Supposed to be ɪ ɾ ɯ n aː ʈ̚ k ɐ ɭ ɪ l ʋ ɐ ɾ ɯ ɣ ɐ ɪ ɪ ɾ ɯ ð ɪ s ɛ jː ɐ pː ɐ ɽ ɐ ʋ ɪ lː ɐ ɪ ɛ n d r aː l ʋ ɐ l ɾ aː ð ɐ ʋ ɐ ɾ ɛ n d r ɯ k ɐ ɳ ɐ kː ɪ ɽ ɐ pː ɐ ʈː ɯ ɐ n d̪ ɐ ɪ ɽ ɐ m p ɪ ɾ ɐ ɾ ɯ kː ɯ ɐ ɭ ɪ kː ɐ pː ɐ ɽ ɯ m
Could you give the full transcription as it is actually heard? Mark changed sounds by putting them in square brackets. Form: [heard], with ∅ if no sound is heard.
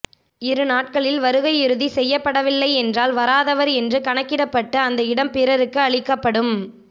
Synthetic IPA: ɪ ɾ ɯ n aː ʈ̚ k ɐ ɭ ɪ l ʋ ɐ ɾ ɯ ɣ ɐ ɪ ɪ ɾ ɯ ð [i] s ɛ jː ɐ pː ɐ ɽ ɐ ʋ ɪ lː ɐ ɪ ɛ n d r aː l ʋ ɐ [∅] ɾ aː ð ɐ ʋ ɐ ɾ ɛ n d r ɯ k ɐ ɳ ɐ kː ɪ ɽ ɐ pː ɐ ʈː ɯ ɐ n d̪ ɐ ɪ ɽ ɐ m p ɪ ɾ ɐ ɾ ɯ kː ɯ ɐ ɭ ɪ kː ɐ pː ɐ ɽ ɯ m